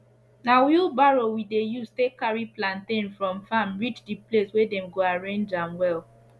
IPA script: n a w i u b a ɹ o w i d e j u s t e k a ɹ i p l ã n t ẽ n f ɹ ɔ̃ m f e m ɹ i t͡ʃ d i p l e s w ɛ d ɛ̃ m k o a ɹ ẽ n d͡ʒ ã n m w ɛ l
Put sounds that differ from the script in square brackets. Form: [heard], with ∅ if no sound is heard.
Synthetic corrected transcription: n a w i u b a ɹ o w i d e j u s t e k a ɹ i p l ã n t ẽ n f ɹ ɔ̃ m f [a] m ɹ i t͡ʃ d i p l e s w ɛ d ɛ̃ m [ɡ] o a ɹ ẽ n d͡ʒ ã [∅] m w ɛ l